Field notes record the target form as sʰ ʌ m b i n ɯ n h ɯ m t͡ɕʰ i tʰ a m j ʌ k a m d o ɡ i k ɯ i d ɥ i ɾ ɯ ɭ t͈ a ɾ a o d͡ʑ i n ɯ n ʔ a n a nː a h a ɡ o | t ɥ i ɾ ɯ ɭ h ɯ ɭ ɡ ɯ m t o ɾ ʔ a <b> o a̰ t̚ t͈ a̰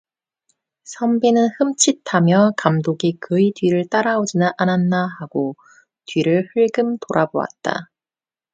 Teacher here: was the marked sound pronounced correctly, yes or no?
yes